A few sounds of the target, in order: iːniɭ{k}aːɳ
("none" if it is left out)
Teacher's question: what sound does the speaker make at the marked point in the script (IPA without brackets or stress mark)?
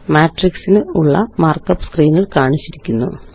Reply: k